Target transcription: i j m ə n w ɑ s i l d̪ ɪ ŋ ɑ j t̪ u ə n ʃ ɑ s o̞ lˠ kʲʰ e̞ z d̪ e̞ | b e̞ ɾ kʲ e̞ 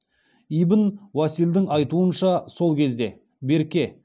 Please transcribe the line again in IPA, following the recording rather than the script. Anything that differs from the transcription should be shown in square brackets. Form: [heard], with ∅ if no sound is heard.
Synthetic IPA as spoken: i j [b] ə n w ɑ s i l d̪ ɪ ŋ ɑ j t̪ u ə n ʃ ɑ s o̞ lˠ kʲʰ e̞ z d̪ e̞ | b e̞ ɾ kʲ e̞